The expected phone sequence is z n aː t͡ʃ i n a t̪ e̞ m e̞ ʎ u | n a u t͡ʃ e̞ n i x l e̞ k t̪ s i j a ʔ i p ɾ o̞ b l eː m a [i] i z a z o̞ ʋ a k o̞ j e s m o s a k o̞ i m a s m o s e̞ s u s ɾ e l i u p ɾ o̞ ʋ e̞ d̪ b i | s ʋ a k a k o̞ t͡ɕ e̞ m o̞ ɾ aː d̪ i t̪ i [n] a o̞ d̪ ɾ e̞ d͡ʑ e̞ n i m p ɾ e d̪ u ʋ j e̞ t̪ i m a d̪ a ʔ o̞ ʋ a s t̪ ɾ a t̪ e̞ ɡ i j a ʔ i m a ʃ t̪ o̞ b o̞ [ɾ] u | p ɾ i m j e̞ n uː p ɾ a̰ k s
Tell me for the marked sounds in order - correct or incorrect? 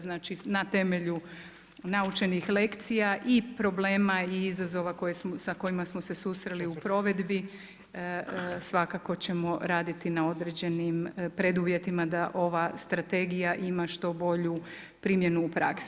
correct, correct, incorrect: ʎ

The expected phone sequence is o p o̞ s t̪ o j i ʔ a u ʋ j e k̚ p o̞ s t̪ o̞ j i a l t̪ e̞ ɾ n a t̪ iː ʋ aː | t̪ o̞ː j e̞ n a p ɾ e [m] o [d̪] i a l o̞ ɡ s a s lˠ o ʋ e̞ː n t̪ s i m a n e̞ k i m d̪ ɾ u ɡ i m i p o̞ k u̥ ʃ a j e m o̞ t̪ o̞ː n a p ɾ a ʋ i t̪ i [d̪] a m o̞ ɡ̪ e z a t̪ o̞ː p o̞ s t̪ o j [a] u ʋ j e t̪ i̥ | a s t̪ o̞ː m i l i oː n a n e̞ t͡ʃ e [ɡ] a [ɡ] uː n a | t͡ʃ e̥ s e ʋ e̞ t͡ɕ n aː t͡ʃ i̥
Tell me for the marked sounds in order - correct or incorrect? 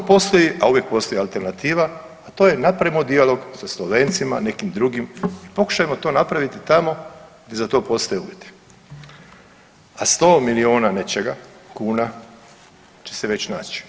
correct, correct, incorrect: t̪, incorrect: e, correct, incorrect: k

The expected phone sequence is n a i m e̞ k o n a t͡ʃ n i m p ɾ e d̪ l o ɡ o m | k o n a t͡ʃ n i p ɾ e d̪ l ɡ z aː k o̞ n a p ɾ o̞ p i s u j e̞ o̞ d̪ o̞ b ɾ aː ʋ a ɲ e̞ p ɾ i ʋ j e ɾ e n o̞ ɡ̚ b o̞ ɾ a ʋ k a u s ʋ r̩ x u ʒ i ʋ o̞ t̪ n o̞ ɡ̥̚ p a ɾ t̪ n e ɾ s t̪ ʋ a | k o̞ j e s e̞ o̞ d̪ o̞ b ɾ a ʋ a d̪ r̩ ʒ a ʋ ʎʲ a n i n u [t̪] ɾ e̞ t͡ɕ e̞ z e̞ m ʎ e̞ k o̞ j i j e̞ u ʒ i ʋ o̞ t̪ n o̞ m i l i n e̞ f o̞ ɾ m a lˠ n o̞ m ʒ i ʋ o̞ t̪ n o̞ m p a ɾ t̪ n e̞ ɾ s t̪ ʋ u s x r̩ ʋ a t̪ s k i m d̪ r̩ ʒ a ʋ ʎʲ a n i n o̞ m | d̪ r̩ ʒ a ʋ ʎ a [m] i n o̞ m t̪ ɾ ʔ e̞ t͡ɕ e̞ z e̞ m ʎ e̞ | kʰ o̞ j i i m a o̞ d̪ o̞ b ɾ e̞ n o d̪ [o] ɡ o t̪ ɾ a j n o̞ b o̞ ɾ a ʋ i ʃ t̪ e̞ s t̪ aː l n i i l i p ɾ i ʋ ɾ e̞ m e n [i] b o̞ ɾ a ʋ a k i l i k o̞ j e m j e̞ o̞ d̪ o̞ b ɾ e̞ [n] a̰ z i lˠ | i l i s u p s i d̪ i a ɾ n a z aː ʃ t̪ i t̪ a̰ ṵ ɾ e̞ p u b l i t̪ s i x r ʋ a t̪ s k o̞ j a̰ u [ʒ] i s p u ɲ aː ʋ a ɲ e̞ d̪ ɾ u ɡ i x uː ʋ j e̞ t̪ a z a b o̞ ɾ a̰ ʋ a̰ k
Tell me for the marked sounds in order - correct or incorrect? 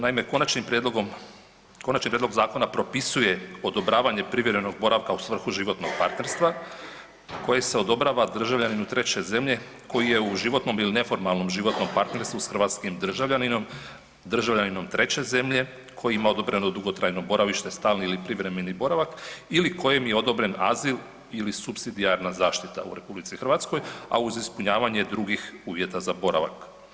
correct, incorrect: n, incorrect: u, correct, correct, incorrect: z

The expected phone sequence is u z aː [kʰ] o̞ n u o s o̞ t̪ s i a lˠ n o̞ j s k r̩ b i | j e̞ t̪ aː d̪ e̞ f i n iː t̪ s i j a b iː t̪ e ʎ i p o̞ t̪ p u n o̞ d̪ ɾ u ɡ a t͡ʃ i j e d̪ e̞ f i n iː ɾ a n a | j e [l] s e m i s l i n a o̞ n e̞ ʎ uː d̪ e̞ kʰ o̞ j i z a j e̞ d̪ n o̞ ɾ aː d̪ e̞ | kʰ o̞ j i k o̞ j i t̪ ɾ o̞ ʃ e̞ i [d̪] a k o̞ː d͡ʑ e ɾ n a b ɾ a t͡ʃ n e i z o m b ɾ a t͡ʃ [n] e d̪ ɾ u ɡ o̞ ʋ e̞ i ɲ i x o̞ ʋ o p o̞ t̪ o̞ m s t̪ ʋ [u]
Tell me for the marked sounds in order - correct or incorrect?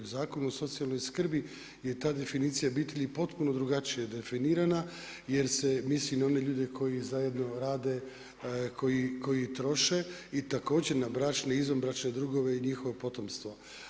incorrect: k, incorrect: ɾ, incorrect: t̪, correct, incorrect: o

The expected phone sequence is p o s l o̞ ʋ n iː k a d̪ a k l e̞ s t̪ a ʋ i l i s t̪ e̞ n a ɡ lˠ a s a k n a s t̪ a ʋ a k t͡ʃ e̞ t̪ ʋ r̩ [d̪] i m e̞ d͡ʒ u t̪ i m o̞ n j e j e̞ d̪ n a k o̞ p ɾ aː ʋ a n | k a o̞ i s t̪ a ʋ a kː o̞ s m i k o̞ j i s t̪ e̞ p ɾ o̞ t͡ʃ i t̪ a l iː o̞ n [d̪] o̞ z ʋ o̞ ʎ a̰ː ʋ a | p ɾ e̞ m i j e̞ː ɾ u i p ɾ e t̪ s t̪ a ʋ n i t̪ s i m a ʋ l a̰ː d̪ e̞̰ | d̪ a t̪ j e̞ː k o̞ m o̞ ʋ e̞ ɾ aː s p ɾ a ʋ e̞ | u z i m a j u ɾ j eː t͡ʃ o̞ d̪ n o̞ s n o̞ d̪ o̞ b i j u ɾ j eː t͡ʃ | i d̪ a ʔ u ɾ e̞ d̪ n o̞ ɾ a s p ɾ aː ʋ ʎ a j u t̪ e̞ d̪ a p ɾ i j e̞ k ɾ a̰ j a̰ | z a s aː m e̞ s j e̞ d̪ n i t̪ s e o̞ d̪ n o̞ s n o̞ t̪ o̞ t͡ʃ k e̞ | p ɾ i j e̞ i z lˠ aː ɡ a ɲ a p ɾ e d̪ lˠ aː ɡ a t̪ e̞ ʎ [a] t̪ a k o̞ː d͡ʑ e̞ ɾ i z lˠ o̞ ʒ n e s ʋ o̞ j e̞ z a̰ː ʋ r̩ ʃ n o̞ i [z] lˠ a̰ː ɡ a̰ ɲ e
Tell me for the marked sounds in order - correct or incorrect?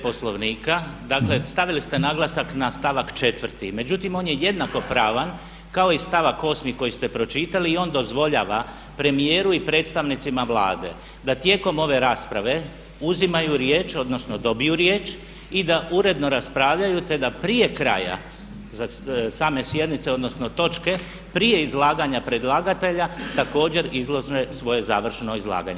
incorrect: t̪, correct, correct, correct

